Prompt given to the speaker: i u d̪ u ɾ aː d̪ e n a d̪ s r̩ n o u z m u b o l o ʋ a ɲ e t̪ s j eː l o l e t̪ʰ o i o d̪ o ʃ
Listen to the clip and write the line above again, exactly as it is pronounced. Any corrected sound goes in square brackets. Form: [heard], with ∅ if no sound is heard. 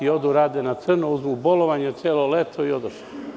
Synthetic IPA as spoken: i [o] d̪ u ɾ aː d̪ e n a [t̪] s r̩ n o u z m u b o l o ʋ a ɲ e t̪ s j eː l o l e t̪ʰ o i o d̪ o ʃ